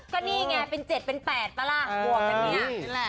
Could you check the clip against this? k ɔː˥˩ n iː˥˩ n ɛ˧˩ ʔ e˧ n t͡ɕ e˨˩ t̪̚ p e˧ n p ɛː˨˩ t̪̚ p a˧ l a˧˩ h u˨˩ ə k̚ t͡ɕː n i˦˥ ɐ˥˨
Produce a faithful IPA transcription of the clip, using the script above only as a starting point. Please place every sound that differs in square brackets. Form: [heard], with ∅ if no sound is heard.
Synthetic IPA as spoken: k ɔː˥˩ n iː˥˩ [ŋ] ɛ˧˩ [p] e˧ n t͡ɕ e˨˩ t̪̚ p e˧ n p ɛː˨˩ t̪̚ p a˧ l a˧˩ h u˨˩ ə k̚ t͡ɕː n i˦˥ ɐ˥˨